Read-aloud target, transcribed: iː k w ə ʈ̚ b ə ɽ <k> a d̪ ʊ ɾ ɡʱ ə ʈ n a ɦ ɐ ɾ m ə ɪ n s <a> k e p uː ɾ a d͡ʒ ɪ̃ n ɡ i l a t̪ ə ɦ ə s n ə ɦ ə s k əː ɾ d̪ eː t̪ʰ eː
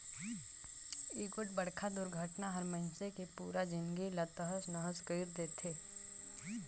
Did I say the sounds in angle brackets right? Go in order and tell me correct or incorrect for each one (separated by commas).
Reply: incorrect, incorrect